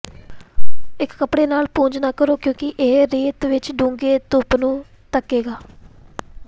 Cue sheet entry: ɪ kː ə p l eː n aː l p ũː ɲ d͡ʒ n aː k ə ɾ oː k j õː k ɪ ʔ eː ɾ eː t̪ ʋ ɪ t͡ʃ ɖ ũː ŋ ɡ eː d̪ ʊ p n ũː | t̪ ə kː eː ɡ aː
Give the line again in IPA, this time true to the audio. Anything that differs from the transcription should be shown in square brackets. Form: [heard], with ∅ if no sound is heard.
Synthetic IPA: ɪ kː ə p [ɽ] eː n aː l p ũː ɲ d͡ʒ n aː k ə ɾ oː k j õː k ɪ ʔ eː ɾ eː t̪ ʋ ɪ t͡ʃ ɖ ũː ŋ ɡ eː [t̪] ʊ p n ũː | t̪ ə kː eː ɡ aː